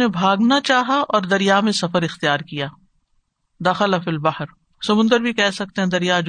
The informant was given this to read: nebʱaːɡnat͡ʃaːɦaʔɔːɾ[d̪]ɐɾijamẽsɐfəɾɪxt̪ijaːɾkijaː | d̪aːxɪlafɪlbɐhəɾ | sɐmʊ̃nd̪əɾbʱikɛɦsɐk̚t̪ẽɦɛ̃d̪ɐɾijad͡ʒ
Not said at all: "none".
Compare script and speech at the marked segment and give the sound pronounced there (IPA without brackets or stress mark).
d̪